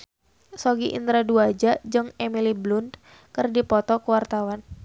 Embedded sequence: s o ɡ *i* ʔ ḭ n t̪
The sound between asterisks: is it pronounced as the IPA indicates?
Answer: yes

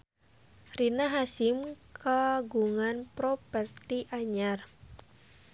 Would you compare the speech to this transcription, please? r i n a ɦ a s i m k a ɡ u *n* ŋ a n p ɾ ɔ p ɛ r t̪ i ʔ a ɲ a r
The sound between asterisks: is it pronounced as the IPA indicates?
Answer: no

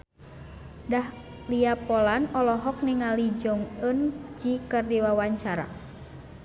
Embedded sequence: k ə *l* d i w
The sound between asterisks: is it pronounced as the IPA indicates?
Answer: no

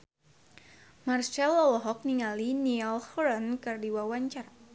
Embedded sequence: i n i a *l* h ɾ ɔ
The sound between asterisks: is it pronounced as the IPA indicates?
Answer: yes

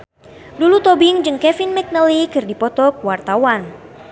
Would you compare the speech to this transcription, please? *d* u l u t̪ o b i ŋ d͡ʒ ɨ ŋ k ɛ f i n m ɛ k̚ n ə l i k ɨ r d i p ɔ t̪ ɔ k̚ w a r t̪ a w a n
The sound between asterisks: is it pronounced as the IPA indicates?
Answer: yes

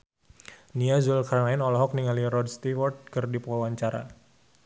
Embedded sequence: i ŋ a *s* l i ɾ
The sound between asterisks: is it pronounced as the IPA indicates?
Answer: no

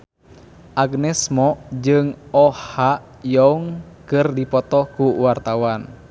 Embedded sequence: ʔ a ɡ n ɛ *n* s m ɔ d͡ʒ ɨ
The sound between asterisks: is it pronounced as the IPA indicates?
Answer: no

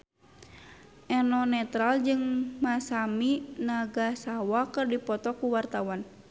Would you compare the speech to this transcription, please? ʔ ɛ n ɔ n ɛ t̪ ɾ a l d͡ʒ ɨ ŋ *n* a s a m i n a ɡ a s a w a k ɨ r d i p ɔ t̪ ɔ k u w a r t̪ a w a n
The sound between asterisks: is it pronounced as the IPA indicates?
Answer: no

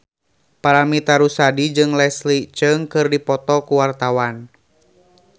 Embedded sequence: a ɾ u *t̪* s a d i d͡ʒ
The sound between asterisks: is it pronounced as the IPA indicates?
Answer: no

